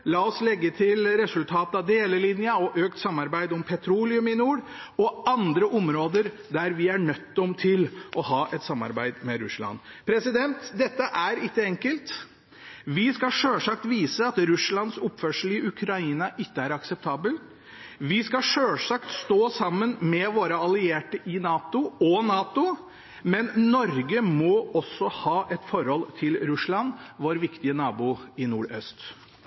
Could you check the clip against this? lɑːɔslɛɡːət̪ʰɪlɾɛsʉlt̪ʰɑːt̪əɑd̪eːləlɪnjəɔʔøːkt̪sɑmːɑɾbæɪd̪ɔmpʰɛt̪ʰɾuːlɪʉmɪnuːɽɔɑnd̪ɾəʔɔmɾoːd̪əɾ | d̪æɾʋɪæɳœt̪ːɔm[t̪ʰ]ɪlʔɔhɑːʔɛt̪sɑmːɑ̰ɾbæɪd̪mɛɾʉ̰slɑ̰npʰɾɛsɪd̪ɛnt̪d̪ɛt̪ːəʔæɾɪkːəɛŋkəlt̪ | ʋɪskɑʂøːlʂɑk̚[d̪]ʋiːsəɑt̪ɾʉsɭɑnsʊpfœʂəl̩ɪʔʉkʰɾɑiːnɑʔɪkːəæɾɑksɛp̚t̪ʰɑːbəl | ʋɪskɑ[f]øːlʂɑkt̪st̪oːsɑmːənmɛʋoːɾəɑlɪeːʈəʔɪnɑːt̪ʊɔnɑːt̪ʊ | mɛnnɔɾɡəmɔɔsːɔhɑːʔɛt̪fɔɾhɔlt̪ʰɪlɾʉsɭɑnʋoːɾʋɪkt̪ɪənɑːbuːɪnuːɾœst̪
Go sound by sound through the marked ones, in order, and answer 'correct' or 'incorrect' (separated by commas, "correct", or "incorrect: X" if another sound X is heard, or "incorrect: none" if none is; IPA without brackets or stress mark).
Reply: correct, incorrect: t̪, incorrect: ʂ